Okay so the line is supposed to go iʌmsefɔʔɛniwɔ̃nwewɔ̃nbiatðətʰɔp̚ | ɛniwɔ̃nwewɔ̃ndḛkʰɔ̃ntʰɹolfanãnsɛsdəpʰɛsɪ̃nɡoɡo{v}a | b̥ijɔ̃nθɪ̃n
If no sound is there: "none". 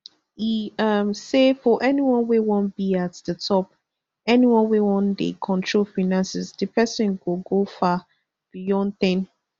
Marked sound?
f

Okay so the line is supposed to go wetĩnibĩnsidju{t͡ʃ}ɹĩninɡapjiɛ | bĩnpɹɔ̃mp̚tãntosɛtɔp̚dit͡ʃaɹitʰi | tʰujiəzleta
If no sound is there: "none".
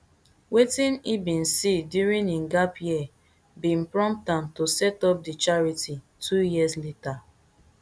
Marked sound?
none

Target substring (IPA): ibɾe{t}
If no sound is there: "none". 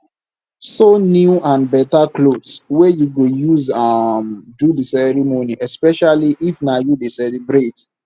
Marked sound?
t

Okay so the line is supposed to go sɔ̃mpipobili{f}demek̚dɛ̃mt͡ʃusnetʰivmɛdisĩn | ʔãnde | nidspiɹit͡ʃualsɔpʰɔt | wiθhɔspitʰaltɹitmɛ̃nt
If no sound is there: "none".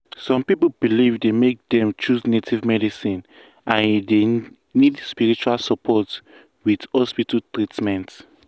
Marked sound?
v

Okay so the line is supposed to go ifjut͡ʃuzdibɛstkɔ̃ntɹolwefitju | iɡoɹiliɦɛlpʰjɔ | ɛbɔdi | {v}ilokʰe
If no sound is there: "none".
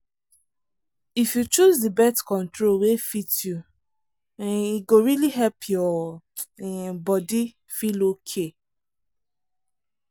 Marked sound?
f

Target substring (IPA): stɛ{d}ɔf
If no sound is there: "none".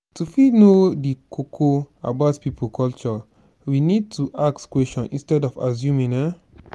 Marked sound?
d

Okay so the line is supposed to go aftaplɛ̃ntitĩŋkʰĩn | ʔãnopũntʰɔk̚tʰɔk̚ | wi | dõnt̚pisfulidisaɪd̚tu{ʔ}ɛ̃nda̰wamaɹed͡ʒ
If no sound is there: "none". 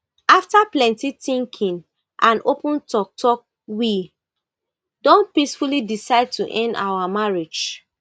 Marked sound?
ʔ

